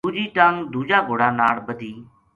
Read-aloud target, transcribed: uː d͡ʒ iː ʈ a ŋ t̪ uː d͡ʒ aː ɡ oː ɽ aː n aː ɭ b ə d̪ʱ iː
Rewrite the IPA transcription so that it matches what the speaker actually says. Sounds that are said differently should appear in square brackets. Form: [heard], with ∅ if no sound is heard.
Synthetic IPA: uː d͡ʒ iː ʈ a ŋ [d̪] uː d͡ʒ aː ɡ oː ɽ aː n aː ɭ b ə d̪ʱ iː